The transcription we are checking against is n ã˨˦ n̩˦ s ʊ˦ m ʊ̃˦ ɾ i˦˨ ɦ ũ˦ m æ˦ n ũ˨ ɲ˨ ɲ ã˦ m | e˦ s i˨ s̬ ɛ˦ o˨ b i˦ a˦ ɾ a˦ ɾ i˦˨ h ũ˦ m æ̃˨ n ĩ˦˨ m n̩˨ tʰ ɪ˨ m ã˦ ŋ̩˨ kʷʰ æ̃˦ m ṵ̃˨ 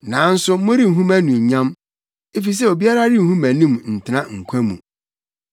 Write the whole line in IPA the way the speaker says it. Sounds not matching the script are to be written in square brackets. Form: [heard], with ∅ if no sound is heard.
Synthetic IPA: n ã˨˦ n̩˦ s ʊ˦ m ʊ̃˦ ɾ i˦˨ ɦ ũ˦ m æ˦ n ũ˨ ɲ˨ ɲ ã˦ m | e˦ [f] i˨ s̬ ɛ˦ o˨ b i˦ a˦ ɾ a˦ ɾ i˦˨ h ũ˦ m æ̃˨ n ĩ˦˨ m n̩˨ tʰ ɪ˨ [n] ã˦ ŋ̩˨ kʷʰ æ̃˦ m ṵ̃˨